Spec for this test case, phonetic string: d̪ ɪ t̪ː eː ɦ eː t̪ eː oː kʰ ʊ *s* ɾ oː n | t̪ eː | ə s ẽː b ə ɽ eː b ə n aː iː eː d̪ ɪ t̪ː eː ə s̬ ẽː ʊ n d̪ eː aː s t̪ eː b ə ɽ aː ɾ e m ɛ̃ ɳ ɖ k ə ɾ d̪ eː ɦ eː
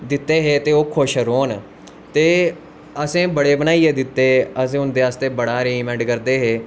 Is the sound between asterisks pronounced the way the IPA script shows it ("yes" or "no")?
no